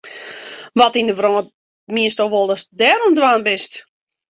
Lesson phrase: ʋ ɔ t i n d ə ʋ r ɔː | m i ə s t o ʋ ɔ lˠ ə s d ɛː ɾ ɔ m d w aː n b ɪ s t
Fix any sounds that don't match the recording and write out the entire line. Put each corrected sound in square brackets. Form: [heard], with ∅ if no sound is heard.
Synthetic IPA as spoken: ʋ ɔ t i n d ə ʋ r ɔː | m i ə s t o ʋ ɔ lˠ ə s d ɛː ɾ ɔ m d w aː n b ɪ s t

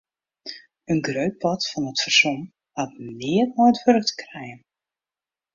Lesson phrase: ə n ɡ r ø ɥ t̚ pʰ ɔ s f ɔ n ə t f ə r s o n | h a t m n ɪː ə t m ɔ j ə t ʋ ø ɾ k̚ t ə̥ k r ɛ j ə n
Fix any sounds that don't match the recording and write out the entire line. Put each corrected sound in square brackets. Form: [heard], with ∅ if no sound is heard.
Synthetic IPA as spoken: ə n ɡ r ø ɥ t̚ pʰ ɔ [t] f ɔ n ə t f ə r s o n | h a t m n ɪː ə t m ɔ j ə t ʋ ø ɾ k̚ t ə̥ k r ɛ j ə n

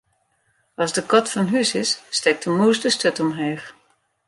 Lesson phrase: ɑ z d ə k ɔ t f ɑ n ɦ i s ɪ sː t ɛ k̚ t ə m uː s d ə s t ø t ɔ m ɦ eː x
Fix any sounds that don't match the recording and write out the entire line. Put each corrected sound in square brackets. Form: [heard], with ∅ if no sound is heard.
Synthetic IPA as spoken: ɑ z d ə k ɔ t f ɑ n ɦ [y] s ɪ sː t ɛ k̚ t ə m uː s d ə s t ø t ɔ m ɦ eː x

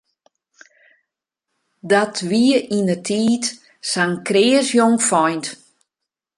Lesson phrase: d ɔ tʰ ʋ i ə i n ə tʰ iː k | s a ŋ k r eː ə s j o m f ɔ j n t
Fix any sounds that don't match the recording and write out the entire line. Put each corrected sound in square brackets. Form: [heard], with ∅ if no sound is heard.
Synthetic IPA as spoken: d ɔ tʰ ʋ i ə i n ə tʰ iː [t] | s a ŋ k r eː ə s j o [ŋ] f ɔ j n t

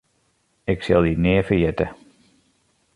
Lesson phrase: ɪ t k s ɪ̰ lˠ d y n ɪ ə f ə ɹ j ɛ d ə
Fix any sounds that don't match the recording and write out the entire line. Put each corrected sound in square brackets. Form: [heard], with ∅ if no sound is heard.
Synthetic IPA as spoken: ɪ [∅] k s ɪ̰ lˠ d [i] n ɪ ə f ə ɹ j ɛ [t] ə

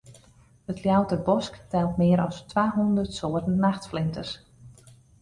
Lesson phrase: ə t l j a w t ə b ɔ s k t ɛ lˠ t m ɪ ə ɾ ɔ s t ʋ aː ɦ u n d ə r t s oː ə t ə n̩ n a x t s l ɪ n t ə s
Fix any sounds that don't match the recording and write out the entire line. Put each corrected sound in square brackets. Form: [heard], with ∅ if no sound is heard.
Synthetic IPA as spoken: ə t l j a w t ə b ɔ s k t ɛ lˠ t m ɪ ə ɾ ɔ s t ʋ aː ɦ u n d ə r t s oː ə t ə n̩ n a x t [f] l ɪ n t ə s

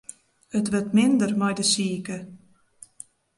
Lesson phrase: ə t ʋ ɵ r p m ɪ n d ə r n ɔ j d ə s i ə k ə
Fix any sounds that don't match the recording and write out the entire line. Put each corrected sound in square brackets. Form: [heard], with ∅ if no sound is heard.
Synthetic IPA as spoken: ə t ʋ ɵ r [t] m ɪ n d ə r [m] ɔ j d ə s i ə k ə

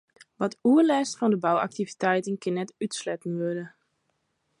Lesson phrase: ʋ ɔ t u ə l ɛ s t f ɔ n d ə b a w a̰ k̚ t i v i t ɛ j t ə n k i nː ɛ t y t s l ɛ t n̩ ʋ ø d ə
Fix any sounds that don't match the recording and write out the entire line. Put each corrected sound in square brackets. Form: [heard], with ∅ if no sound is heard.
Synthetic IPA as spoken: ʋ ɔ t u ə l ɛ s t f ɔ n d ə b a w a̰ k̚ t i v i t ɛ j t ə n k [ɪ] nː ɛ t y t s l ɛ t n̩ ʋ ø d ə

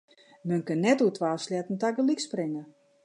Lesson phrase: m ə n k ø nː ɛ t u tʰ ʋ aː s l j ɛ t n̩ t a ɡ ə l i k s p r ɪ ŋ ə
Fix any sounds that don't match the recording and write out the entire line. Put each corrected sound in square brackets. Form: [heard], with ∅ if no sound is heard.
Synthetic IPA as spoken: m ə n k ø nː ɛ t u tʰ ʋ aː s l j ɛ t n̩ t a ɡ ə l i k s p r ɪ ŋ ə

